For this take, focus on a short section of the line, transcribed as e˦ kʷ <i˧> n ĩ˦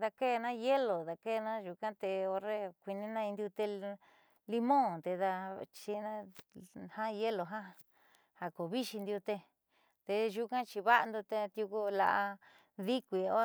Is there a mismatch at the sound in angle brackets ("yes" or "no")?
no